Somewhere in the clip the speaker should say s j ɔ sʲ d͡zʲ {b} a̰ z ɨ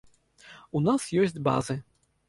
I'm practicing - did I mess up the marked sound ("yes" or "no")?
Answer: no